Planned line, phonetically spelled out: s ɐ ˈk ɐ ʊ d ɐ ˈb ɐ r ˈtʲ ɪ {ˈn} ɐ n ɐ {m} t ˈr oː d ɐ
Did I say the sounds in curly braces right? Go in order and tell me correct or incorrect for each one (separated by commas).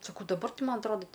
incorrect, incorrect